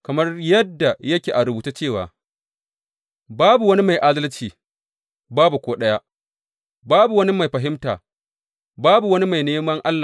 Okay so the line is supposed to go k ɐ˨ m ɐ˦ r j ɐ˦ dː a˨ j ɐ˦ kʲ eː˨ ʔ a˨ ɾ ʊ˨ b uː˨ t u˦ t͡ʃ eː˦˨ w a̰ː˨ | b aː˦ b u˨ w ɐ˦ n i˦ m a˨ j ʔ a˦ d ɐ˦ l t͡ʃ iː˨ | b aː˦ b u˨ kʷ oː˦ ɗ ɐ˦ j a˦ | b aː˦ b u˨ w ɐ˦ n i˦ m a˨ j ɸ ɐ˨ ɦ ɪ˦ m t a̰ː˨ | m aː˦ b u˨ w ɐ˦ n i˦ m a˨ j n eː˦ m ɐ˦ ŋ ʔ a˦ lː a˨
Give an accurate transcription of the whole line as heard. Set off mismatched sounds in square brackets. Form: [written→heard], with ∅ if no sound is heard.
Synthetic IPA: k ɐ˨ m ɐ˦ r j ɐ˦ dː a˨ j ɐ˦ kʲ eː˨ ʔ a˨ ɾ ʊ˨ b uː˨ t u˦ t͡ʃ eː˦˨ w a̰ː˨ | b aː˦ b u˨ w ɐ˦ n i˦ m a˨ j ʔ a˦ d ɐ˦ l t͡ʃ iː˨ | b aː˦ b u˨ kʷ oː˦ ɗ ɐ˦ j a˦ | b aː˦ b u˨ w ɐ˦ n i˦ m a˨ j ɸ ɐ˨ ɦ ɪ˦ m t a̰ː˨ | [m→b] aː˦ b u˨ w ɐ˦ n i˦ m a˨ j n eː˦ m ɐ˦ ŋ ʔ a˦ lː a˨